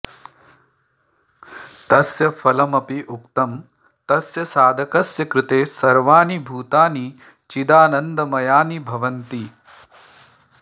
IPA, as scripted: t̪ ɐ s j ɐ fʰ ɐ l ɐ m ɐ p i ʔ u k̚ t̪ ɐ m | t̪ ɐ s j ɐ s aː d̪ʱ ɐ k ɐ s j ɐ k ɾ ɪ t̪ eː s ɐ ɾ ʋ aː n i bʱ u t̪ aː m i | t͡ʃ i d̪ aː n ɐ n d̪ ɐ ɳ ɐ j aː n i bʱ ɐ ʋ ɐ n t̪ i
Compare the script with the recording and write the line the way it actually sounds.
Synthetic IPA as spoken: t̪ ɐ s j ɐ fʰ ɐ l ɐ m ɐ p i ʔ u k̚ t̪ ɐ m | t̪ ɐ s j ɐ s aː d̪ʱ ɐ k ɐ s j ɐ k ɾ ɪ t̪ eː s ɐ ɾ ʋ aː n i bʱ uː t̪ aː n i | t͡ʃ i d̪ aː n ɐ n d̪ ɐ m ɐ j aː n i bʱ ɐ ʋ ɐ n t̪ i

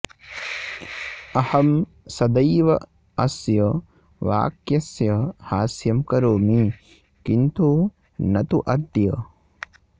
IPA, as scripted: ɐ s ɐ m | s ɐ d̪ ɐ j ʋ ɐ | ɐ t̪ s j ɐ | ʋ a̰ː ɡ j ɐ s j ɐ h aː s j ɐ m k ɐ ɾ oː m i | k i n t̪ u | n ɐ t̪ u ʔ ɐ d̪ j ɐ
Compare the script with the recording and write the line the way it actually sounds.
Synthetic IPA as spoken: ɐ h ɐ m | s ɐ d̪ ɐ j ʋ ɐ | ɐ s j ɐ | ʋ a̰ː k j ɐ s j ɐ h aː s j ɐ m k ɐ ɾ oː m i | k i n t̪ u | n ɐ t̪ u ʔ ɐ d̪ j ɐ

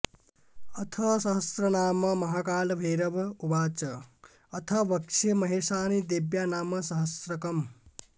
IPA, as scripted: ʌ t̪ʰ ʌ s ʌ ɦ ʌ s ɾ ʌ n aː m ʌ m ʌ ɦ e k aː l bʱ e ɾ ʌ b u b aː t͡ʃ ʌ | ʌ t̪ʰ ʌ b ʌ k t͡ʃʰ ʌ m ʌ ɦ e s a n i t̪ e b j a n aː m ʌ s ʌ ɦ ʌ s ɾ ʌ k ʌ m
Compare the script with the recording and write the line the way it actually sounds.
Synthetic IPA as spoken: ʌ t̪ʰ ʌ s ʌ ɦ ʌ s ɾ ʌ n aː m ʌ m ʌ ɦ a k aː l bʱ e ɾ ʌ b u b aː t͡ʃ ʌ | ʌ t̪ʰ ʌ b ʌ k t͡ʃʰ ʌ m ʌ ɦ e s a n i d̪ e b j a n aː m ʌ s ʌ ɦ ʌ s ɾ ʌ k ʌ m

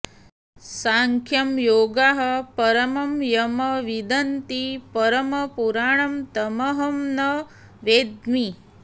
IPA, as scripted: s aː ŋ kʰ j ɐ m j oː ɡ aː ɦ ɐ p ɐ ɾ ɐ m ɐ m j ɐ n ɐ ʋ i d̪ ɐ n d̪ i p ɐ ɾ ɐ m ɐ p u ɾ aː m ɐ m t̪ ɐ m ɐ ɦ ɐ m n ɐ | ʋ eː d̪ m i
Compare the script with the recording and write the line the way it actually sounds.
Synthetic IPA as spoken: s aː ŋ kʰ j ɐ m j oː ɡ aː ɦ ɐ p ɐ ɾ ɐ m ɐ m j ɐ m ɐ ʋ i d̪ ɐ n t̪ i p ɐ ɾ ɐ m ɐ p u ɾ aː ɳ ɐ m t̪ ɐ m ɐ ɦ ɐ m n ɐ | ʋ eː d̪ m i

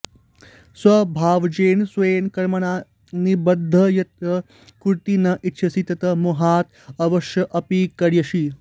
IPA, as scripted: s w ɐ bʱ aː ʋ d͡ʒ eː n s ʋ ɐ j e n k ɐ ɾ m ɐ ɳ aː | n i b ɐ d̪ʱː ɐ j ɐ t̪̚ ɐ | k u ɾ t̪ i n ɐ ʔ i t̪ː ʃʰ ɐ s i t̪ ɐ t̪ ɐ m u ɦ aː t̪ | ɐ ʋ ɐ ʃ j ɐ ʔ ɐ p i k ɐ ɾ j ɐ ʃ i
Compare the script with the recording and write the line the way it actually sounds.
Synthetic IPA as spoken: s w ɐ bʱ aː ʋ d͡ʒ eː n s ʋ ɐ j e n k ɐ ɾ m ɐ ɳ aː | n i b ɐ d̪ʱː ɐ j ɐ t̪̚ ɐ | k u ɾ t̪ i n ɐ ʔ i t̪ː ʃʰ ɐ s i t̪ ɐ t̪ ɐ m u ɦ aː t̪ | ɐ ʋ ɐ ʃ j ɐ ʔ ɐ p i k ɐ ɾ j ɐ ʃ i

